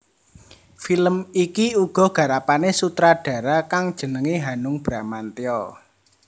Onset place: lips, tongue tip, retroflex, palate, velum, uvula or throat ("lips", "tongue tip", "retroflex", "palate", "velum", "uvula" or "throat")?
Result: lips